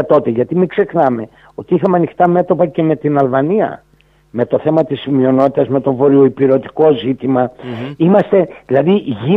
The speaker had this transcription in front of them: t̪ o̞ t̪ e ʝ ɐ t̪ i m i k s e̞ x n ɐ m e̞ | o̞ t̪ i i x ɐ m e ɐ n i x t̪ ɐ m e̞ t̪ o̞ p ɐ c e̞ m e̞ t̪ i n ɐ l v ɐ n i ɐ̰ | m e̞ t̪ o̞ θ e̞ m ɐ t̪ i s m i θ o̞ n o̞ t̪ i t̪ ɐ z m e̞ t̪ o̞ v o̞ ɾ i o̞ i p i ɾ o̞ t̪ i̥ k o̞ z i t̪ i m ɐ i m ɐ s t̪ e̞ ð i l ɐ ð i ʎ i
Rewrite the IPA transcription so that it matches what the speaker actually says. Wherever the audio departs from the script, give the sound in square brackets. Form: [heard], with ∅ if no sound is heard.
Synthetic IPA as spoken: t̪ o̞ t̪ e ʝ ɐ t̪ i m i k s e̞ x n ɐ m e̞ | o̞ t̪ i i x ɐ m e ɐ n i x t̪ ɐ m e̞ t̪ o̞ p ɐ c e̞ m e̞ t̪ i n ɐ l v ɐ n i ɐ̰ | m e̞ t̪ o̞ θ e̞ m ɐ t̪ i s m i [∅] o̞ n o̞ t̪ i t̪ ɐ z m e̞ t̪ o̞ v o̞ ɾ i o̞ i p i ɾ o̞ t̪ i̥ k o̞ z i t̪ i m ɐ i m ɐ s t̪ e̞ ð i l ɐ ð i [ʝ] i